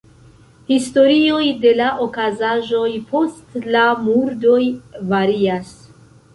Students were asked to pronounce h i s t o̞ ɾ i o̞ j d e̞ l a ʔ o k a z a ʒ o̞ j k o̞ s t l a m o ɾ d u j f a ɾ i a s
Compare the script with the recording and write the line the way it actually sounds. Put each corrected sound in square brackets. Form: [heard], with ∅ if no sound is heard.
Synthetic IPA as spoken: h i s t o̞ ɾ i o̞ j d e̞ l a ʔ o k a z a ʒ o̞ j [p] o̞ s t l a m [u] ɾ d [o] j [v] a ɾ i a s